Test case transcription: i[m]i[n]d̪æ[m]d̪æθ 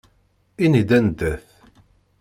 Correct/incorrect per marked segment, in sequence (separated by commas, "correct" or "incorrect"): incorrect, incorrect, incorrect